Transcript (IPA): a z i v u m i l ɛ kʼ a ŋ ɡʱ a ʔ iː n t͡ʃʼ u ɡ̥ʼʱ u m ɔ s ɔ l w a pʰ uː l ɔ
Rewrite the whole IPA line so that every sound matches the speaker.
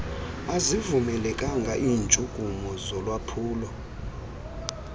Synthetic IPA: a z i v u m ɛ l ɛ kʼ a ŋ ɡʱ a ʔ iː n t͡ʃʼ u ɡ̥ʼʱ u m ɔ z ɔ l w a pʰ uː l ɔ